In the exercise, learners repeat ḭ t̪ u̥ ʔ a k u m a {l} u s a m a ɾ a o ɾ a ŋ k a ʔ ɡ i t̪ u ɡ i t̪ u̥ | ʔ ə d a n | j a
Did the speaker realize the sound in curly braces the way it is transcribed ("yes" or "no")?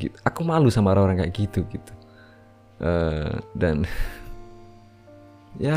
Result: yes